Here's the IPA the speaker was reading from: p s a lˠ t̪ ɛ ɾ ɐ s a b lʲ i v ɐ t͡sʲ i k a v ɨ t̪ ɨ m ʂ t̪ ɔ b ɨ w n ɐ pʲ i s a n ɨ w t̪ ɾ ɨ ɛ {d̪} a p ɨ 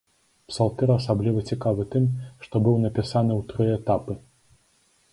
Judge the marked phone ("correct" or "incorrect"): incorrect